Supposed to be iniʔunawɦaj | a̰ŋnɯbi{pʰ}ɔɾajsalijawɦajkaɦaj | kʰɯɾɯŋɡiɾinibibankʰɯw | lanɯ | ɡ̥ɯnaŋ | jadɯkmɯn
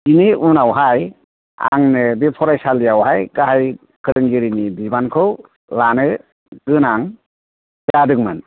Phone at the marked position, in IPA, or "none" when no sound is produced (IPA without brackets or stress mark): pʰ